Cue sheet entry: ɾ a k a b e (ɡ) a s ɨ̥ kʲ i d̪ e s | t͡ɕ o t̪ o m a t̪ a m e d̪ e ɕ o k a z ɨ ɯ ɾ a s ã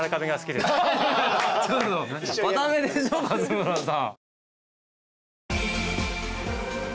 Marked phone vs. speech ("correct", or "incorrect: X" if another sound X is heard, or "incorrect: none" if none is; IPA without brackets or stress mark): correct